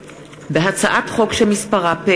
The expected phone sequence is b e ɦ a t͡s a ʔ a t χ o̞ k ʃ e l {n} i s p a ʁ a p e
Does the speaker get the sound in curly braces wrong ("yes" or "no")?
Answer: yes